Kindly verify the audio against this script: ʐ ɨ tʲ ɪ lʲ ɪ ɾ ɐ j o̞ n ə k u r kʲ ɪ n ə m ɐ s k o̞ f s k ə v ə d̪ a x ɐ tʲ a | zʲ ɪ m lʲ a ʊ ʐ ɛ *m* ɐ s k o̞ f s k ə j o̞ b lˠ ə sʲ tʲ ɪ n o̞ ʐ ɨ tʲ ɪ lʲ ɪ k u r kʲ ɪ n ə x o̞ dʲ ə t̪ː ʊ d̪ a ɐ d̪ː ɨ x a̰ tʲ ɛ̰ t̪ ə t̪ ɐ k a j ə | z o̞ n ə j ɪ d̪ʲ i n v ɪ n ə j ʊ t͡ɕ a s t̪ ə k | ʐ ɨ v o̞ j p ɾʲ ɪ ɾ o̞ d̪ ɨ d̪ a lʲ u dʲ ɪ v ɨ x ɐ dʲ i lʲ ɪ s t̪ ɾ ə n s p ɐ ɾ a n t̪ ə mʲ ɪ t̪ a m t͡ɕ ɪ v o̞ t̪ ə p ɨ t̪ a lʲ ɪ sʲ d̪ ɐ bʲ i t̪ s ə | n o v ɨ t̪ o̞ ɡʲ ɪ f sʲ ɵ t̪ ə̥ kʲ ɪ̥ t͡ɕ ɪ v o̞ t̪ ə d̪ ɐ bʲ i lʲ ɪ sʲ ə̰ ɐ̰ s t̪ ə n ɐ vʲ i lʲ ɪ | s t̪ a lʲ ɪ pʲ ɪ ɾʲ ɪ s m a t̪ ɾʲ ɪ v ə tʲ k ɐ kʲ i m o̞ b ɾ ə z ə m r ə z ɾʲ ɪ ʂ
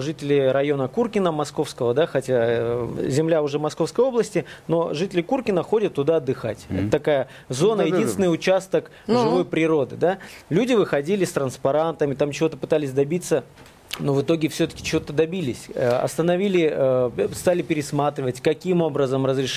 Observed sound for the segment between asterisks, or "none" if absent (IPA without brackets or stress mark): m